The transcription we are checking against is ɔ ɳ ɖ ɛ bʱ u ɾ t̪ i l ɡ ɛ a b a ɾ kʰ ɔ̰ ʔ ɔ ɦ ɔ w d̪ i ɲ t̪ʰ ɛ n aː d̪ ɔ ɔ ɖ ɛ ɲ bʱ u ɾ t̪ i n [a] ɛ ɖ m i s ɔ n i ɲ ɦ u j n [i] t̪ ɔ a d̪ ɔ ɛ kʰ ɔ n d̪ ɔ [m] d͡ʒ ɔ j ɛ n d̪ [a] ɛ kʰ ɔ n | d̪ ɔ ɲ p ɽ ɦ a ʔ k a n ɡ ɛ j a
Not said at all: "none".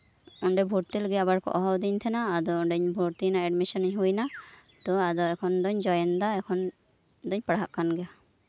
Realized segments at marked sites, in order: a, a, ɲ, a

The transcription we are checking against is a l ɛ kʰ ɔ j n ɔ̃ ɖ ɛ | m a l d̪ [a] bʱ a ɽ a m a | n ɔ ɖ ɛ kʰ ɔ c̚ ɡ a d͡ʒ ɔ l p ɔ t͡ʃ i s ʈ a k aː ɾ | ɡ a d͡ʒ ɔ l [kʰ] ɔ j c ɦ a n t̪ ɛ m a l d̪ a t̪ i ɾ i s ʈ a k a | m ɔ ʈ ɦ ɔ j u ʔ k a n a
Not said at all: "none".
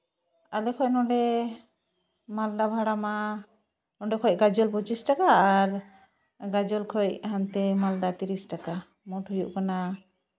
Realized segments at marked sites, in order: a, kʰ

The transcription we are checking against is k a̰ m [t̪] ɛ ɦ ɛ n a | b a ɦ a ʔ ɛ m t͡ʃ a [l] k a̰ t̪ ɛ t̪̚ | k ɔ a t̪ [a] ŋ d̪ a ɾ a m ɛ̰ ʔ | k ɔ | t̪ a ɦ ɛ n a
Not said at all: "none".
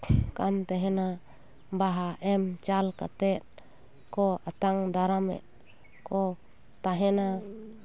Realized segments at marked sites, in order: t̪, l, a

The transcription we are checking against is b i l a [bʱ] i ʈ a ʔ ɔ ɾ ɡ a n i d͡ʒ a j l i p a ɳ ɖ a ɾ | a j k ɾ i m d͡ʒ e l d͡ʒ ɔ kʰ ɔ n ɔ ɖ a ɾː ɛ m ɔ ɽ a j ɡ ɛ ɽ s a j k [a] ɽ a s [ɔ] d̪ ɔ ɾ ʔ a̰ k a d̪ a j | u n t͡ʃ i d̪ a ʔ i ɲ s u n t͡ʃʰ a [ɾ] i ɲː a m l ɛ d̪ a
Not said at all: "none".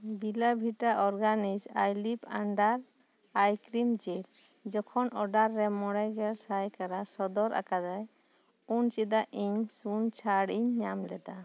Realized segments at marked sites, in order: bʱ, a, ɔ, ɽ

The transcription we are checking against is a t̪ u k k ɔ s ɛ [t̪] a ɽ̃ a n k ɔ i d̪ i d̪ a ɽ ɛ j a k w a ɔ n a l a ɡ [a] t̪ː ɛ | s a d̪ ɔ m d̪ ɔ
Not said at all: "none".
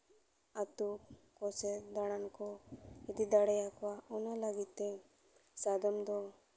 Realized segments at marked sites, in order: d̪, i

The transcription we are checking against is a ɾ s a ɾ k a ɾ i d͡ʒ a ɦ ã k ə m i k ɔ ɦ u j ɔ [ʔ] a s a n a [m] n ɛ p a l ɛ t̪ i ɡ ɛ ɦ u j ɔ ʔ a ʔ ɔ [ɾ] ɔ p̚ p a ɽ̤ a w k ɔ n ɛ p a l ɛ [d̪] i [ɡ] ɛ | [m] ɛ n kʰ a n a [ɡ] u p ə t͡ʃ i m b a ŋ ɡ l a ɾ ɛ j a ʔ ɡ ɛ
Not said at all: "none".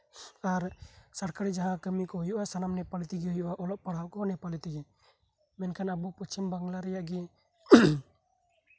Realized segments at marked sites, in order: ʔ, m, l, t̪, ɡ, m, b

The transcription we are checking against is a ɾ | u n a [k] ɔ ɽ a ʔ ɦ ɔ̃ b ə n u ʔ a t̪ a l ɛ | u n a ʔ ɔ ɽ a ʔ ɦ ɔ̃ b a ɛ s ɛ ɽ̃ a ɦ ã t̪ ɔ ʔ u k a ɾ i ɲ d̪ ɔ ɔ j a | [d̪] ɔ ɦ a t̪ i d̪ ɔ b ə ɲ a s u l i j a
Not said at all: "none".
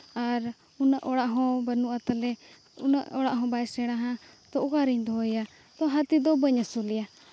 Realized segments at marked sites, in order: ʔ, t̪

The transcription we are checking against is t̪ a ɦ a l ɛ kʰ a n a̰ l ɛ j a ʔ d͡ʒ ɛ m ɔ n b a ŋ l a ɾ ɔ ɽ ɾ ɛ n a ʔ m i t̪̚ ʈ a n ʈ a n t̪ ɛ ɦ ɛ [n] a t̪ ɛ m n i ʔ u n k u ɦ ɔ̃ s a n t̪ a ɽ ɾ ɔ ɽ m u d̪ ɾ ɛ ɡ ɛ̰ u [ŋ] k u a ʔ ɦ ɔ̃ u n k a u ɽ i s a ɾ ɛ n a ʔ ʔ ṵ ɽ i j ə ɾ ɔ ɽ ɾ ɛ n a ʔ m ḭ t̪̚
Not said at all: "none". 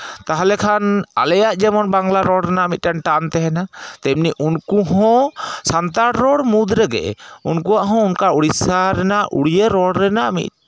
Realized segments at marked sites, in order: n, n

